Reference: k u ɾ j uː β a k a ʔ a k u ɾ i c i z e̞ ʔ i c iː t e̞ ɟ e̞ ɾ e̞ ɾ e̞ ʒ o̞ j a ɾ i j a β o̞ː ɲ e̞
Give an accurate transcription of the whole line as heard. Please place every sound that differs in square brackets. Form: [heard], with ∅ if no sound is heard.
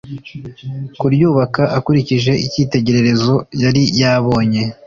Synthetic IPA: k u ɾ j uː β a k a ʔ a k u ɾ i c i [ʒ] e̞ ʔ i c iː t e̞ ɟ e̞ ɾ e̞ ɾ e̞ [z] o̞ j a ɾ i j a β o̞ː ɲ e̞